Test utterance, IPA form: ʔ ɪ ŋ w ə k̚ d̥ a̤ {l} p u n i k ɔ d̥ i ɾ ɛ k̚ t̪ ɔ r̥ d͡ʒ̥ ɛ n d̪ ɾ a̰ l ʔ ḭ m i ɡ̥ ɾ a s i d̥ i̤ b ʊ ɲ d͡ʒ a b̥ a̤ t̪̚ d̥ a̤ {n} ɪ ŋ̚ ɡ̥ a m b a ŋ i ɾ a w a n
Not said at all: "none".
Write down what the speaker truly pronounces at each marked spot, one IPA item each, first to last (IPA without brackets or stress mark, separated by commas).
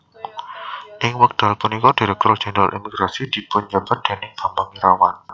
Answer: l, n